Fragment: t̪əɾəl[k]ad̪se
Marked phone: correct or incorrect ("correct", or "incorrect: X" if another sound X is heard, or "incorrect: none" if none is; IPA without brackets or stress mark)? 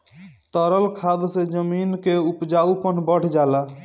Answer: incorrect: kʰ